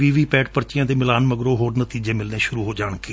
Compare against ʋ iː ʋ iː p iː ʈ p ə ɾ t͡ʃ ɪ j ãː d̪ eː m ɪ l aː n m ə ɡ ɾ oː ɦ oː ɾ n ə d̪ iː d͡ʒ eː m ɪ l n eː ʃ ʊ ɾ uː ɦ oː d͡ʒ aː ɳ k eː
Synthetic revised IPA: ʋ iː ʋ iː p ɛː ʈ p ə ɾ t͡ʃ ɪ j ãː d̪ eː m ɪ l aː n m ə ɡ ɾ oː ɦ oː ɾ n ə t̪ iː d͡ʒ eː m ɪ l n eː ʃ ʊ ɾ uː ɦ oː d͡ʒ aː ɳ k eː